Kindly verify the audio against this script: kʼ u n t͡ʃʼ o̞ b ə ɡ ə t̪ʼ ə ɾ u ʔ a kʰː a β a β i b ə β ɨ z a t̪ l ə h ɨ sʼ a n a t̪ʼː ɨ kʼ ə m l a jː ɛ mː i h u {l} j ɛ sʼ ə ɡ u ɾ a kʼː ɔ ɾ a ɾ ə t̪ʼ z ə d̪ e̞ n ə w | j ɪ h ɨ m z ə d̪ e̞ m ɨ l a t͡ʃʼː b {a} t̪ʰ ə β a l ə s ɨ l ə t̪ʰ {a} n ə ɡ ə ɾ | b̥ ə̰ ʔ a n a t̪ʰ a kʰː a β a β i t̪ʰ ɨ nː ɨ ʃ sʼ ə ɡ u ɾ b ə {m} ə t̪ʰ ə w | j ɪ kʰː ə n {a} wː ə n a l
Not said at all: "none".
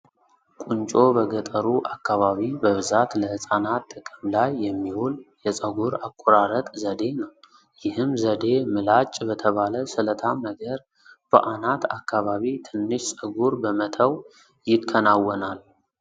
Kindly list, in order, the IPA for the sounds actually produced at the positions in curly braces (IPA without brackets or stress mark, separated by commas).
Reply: l, ə, a, m, a